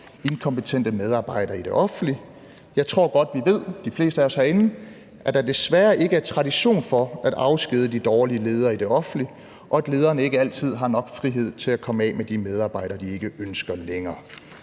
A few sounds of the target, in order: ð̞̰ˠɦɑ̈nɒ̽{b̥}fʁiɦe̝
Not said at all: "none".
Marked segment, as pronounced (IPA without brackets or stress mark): ɡ̥